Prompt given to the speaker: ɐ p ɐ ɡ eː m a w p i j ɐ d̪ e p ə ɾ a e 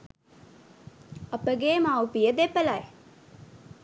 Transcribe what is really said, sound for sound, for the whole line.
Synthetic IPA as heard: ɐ p ə ɡ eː m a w p i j ə d̪ e p ə l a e

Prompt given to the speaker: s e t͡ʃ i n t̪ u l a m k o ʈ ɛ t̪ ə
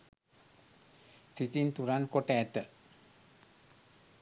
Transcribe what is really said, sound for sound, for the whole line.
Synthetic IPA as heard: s i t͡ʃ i n t̪ u ɾ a n k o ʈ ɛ t̪ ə

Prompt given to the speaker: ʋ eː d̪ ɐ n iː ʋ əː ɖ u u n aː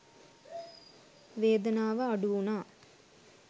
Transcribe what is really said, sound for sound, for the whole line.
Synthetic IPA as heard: ʋ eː d̪ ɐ n aː ʋ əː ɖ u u n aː

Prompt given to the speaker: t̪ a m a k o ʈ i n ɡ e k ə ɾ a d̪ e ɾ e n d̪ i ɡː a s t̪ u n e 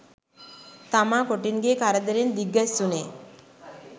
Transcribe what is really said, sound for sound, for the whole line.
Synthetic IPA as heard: t̪ a m a k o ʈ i n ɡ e k a ɾ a d̪ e ɾ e n d̪ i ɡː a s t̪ u n e

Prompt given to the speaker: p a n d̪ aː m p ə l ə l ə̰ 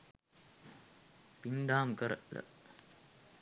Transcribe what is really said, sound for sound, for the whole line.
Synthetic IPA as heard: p i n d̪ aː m k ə ɾ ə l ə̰

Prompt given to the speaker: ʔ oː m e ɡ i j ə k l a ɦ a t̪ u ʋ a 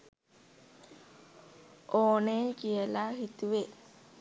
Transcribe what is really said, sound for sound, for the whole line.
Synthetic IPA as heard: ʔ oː n e k i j ə l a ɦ i t̪ u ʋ e

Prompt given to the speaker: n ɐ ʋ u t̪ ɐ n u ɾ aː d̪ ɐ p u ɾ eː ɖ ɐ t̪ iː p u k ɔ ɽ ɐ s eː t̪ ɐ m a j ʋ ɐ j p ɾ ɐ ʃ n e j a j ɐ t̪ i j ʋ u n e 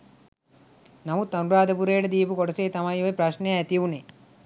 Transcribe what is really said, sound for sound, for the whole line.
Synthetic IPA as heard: n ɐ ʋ u t̪ ɐ n u ɾ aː d̪ ɐ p u ɾ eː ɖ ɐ d̪ iː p u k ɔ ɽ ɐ s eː t̪ ɐ m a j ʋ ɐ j p ɾ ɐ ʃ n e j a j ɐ t̪ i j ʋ u n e

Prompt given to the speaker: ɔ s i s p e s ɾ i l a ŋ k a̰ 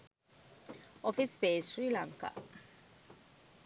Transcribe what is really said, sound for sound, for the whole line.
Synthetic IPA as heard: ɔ f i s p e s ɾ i l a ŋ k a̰

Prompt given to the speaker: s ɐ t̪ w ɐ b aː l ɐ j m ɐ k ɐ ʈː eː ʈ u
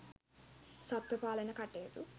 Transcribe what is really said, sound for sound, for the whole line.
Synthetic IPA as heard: s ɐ t̪ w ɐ p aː l ɐ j n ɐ k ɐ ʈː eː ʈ u

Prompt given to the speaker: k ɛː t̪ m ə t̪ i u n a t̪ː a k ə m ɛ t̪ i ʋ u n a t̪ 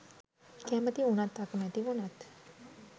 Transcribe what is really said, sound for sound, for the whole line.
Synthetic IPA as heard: k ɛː m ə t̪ i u n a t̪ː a k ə m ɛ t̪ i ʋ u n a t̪

